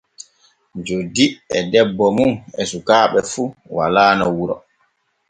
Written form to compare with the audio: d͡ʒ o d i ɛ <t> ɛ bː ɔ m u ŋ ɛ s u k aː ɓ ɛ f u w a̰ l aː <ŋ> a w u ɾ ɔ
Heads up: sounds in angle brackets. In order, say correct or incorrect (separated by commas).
incorrect, incorrect